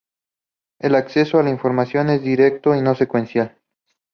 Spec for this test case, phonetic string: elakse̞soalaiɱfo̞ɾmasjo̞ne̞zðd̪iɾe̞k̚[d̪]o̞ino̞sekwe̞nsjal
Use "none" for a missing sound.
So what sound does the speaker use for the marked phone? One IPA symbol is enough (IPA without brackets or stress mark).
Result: t̪